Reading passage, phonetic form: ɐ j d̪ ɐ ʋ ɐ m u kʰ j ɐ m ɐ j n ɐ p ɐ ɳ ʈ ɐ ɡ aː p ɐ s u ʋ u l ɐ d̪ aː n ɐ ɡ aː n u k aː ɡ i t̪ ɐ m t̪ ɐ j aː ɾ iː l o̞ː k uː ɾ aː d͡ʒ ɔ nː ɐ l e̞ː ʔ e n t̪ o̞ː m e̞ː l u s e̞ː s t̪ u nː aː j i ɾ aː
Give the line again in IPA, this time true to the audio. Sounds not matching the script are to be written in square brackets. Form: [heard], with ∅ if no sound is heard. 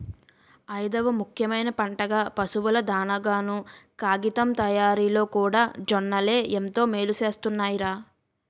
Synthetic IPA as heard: ɐ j d̪ ɐ ʋ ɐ m u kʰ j ɐ m ɐ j n ɐ p ɐ ɳ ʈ ɐ ɡ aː p ɐ s u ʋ u l ɐ d̪ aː n ɐ ɡ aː n u k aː ɡ i t̪ ɐ m t̪ ɐ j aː ɾ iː l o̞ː k uː [ɽ] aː d͡ʒ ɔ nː ɐ l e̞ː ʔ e n t̪ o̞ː m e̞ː l u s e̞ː s t̪ u nː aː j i ɾ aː